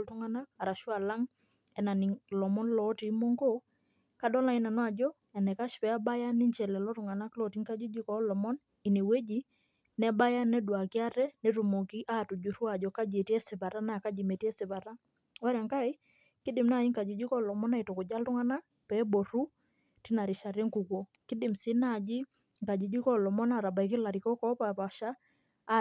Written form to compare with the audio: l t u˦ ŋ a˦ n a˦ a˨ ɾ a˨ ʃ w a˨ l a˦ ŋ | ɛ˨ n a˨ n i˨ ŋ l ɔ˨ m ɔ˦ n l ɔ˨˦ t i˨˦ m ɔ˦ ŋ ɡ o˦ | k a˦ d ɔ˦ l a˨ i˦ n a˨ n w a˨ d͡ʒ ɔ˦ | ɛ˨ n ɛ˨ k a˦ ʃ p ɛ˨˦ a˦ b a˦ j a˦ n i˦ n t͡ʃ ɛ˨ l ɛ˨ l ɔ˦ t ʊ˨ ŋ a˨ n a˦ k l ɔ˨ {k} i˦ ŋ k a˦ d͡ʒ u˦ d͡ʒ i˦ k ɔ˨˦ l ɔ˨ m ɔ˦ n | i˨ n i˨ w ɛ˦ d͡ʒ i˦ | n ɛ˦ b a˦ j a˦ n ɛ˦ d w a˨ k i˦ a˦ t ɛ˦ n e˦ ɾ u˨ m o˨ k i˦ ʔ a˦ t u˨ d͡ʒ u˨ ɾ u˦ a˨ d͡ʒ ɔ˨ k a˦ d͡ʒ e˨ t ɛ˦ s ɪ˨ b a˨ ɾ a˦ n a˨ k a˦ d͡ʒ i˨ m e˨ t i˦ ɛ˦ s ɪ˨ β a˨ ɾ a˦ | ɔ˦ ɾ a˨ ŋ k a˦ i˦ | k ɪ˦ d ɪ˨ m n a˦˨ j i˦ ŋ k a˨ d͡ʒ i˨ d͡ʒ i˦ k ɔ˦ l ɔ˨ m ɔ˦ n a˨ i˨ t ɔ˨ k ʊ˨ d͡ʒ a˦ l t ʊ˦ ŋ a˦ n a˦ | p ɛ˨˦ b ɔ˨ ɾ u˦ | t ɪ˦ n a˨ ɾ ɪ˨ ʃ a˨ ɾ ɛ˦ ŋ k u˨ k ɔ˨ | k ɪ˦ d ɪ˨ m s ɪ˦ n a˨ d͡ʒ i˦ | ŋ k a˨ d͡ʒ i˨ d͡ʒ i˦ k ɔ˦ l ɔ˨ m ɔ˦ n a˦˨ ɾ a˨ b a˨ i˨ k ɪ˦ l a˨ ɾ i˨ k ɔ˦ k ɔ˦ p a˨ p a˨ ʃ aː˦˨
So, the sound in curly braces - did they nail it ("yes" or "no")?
no